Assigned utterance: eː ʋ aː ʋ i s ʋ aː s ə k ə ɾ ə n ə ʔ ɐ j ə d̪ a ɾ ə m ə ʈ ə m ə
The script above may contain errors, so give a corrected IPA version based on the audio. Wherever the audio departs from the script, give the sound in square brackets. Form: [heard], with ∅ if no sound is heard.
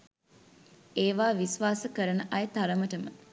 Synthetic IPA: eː ʋ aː ʋ i s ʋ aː s ə k ə ɾ ə n ə ʔ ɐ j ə [t̪] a ɾ ə m ə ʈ ə m ə